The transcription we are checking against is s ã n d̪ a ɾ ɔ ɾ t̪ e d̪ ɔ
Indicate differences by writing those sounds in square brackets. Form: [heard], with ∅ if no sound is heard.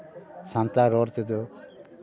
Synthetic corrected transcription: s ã n [t̪] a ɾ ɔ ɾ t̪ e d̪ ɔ